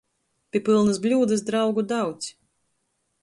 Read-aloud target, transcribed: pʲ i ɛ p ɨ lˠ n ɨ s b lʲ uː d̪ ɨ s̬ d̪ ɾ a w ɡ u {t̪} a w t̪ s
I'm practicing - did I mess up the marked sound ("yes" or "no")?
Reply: yes